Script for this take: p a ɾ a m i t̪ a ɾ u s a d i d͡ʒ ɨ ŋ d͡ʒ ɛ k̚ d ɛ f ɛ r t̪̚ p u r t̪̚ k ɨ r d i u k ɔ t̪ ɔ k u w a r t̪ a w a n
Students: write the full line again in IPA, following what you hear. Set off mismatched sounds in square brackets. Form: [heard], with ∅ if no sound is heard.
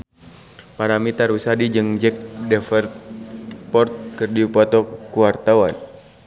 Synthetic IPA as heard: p a ɾ a m i t̪ a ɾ u s a d i d͡ʒ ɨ ŋ d͡ʒ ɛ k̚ d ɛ f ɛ r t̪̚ p [ɔ] r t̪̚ k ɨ r d i u [p] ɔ t̪ ɔ k u w a r t̪ a w a n